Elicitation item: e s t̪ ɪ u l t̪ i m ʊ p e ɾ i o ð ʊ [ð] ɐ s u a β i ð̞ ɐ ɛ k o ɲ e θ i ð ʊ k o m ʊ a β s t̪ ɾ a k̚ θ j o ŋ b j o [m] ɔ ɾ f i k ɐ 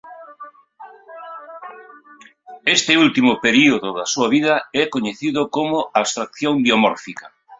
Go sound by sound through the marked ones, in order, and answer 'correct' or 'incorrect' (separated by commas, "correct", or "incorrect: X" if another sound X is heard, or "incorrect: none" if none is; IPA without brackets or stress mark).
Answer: correct, correct